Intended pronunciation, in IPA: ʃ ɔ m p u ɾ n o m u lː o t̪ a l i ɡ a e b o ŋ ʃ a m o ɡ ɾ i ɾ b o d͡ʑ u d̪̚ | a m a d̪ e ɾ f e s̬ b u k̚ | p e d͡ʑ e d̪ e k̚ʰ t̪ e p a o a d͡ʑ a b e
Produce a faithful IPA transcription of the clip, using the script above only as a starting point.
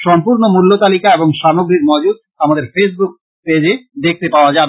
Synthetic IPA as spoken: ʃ ɔ m p u ɾ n o m u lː o t̪ a l i k a e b o ŋ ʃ a m o ɡ ɾ i ɾ m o d͡ʑ u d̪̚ | a m a d̪ e ɾ f e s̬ b u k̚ | p e d͡ʑ e d̪ e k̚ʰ t̪ e p a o a d͡ʑ a b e

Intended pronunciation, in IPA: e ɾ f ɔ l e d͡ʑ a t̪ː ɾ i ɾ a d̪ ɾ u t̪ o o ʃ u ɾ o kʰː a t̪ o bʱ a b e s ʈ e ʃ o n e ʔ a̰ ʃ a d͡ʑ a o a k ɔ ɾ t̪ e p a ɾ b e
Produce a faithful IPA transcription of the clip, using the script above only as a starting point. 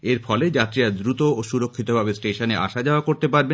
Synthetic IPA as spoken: e ɾ f ɔ l e d͡ʑ a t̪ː ɾ i ɾ a d̪ ɾ u t̪ o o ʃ u ɾ o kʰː i t̪ o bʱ a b e s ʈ e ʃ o n e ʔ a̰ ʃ a d͡ʑ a o a k o ɾ t̪ e p a ɾ b e

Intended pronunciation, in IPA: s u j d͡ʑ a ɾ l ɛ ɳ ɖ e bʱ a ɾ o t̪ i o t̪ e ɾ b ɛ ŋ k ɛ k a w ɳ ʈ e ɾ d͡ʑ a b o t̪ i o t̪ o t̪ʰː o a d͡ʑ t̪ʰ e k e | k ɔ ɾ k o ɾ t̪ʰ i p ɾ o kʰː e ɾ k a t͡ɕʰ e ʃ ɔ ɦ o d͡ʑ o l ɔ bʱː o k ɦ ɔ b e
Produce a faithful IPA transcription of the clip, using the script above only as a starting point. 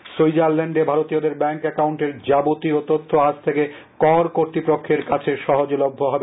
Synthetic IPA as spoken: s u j d͡ʑ a ɾ l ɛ ɳ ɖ e bʱ a ɾ o t̪ i o d̪ e ɾ b ɛ ŋ k ɛ k a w ɳ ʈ e ɾ d͡ʑ a b o t̪ i o t̪ o t̪ʰː o a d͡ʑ t̪ʰ e k e | k ɔ ɾ k o ɾ t̪ i p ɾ o kʰː e ɾ k a t͡ɕʰ e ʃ ɔ ɦ o d͡ʑ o l o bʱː o ɦ ɔ b e

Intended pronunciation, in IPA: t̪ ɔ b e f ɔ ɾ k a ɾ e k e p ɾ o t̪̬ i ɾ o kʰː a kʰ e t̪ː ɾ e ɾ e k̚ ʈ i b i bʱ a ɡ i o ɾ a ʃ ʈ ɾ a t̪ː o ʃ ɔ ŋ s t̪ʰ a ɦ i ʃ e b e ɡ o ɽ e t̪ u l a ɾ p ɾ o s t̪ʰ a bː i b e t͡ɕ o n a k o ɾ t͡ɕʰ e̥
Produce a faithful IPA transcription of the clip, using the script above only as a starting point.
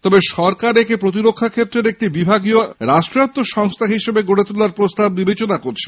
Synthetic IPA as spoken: t̪ ɔ b e ʃ ɔ ɾ k a ɾ e k e p ɾ o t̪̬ i ɾ o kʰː a kʰ e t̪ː ɾ e ɾ e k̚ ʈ i b i bʱ a ɡ i o ɾ a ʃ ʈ ɾ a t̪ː o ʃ ɔ ŋ s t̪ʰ a ɦ i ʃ e b e ɡ o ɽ e t̪ u l a ɾ p ɾ o s t̪ a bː i b e t͡ɕ o n a k o ɾ t͡ɕʰ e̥

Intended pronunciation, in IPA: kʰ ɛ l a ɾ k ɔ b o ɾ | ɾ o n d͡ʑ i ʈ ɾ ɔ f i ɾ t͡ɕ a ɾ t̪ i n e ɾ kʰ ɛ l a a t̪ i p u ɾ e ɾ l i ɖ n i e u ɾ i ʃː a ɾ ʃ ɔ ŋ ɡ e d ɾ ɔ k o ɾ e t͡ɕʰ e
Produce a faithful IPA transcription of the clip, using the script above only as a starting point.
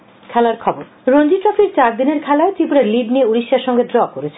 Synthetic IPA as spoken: kʰ ɛ l a ɾ kʰ ɔ b o ɾ | ɾ o n d͡ʑ i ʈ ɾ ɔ f i ɾ t͡ɕ a ɾ d̪ i n e ɾ kʰ ɛ l a e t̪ i p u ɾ e ɾ l i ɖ n i e u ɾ i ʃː a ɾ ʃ ɔ ŋ ɡ e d ɾ ɔ k o ɾ e t͡ɕʰ e

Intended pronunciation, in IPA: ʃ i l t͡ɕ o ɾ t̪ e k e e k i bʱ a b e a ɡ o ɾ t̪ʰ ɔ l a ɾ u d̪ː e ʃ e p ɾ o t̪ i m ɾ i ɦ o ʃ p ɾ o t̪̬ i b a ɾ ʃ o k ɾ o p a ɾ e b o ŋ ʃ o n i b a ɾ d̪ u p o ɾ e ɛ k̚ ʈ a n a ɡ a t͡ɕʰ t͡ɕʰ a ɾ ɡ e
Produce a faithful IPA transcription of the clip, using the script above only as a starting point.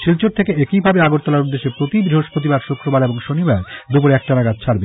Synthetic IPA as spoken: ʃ i l t͡ɕ o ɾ t̪ʰ e k e e k i bʱ a b e a ɡ o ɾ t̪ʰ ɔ l a ɾ u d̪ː e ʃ e p ɾ o t̪ i b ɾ i ɦ o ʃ p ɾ o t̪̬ i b a ɾ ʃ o k ɾ o b a ɾ e b o ŋ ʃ o n i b a ɾ d̪ u p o ɾ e ɛ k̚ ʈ a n a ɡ a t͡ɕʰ t͡ɕʰ a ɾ b e

